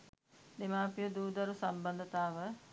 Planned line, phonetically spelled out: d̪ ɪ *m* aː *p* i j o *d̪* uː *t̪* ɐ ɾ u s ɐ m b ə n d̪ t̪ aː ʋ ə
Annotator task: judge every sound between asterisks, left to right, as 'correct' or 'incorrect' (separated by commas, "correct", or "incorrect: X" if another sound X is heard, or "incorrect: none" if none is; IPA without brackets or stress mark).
correct, correct, correct, incorrect: d̪